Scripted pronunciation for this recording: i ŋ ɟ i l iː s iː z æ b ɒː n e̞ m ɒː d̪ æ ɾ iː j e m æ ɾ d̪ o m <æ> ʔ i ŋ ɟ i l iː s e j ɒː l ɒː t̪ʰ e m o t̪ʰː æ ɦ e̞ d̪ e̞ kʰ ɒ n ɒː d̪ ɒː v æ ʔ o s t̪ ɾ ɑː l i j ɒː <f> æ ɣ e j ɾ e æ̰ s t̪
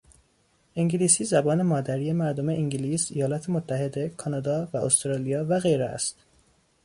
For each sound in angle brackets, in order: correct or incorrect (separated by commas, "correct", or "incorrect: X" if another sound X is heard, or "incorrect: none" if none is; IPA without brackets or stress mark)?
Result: incorrect: e, incorrect: v